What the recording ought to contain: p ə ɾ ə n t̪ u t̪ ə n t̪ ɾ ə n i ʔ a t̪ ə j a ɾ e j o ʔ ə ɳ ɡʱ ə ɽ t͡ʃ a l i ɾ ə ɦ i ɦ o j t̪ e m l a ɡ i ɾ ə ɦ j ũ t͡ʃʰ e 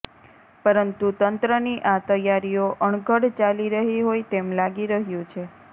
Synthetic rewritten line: p ə ɾ ə n t̪ u t̪ ə n t̪ ɾ ə n i ʔ a t̪ ə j a ɾ i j o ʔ ə ɳ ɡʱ ə ɽ t͡ʃ a l i ɾ ə ɦ i ɦ o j t̪ e m l a ɡ i ɾ ə ɦ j ũ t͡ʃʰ e